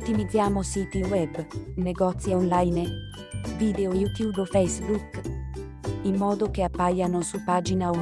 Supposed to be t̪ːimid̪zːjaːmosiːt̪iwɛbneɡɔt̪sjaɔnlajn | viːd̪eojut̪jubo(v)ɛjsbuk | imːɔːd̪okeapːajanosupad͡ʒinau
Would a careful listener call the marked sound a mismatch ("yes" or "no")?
yes